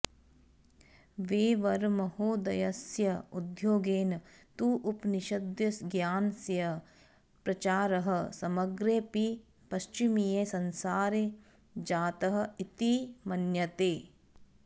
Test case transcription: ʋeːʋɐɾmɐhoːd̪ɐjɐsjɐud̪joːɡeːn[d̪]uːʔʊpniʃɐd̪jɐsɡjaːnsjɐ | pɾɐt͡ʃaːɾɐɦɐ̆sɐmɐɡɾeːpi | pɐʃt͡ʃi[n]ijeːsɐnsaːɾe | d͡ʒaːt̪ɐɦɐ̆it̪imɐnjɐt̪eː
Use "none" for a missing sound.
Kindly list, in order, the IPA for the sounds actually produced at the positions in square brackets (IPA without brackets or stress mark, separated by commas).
t̪, m